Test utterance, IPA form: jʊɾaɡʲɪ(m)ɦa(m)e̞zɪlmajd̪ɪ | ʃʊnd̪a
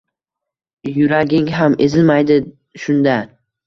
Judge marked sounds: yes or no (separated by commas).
no, yes